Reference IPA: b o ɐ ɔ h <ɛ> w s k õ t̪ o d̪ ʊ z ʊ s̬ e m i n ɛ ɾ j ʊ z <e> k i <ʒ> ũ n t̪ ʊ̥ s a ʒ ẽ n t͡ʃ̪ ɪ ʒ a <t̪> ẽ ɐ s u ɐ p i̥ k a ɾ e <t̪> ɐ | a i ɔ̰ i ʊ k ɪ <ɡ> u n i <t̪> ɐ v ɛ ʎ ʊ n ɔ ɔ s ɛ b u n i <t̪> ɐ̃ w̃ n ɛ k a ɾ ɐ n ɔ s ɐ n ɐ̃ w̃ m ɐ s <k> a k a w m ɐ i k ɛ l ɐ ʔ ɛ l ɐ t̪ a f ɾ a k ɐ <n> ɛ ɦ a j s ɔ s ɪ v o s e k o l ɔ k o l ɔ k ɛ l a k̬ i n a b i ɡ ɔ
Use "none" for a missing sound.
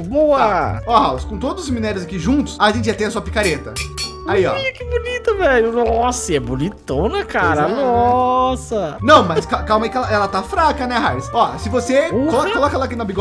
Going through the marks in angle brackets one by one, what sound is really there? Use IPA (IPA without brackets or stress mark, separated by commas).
a, a, ʒ, t̪, t̪, b, t̪, t̪, k, n